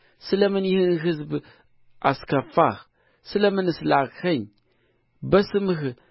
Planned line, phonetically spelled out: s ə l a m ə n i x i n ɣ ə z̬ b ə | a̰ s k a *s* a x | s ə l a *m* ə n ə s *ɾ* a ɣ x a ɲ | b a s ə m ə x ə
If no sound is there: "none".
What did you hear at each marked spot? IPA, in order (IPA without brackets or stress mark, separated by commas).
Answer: f, m, l